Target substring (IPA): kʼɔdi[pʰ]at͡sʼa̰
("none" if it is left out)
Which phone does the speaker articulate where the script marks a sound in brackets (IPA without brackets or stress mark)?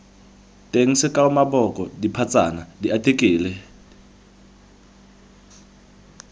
pʰ